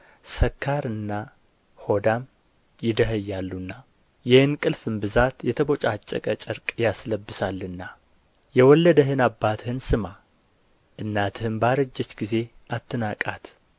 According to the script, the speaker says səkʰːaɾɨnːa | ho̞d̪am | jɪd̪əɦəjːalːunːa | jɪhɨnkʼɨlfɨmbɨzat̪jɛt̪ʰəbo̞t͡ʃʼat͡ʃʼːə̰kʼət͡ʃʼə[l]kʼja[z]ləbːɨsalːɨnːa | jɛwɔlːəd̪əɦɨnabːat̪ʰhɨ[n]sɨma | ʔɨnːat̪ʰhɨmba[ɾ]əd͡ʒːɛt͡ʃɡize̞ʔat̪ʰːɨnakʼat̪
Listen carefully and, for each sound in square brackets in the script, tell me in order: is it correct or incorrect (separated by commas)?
incorrect, incorrect, correct, correct